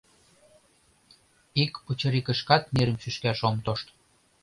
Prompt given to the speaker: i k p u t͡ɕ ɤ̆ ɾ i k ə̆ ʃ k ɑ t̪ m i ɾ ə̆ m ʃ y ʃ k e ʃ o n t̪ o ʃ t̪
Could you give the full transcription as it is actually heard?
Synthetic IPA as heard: i k p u t͡ɕ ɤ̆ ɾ i k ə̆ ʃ k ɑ t̪ m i ɾ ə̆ m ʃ y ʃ k æ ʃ o m t̪ o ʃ t̪